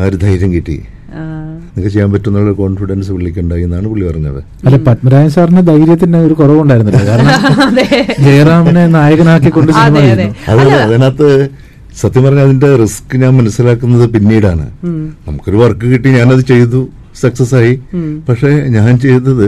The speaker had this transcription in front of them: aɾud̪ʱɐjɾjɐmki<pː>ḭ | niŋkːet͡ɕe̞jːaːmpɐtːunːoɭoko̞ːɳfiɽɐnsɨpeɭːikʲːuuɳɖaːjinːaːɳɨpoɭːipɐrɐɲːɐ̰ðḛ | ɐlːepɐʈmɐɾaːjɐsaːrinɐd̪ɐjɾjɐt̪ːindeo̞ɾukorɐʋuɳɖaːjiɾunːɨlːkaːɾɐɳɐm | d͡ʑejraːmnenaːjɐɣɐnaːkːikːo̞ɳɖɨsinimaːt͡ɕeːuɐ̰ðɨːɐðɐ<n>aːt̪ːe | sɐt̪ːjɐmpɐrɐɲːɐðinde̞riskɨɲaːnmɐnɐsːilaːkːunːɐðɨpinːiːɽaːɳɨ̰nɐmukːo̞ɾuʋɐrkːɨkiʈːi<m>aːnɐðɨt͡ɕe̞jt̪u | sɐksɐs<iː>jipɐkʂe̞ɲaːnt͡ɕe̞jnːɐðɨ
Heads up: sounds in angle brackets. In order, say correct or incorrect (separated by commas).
incorrect, correct, incorrect, incorrect